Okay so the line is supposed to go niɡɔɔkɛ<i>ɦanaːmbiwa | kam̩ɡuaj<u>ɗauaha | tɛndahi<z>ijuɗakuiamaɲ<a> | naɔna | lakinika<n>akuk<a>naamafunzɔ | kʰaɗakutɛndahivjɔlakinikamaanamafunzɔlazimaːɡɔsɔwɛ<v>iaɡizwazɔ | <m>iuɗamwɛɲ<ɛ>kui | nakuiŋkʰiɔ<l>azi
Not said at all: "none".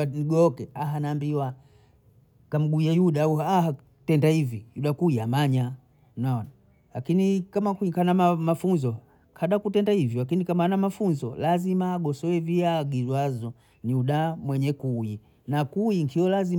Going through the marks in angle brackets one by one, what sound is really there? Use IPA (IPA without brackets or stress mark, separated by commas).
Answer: a, u, v, a, m, a, v, n, ɛ, l